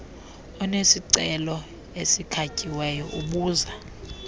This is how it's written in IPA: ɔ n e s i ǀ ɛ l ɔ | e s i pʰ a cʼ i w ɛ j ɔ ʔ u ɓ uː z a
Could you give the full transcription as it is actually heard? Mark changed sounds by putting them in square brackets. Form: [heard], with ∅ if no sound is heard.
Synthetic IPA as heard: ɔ n e s i ǀ ɛ l ɔ | e s i [kʰ] a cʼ i w ɛ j ɔ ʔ u ɓ uː z a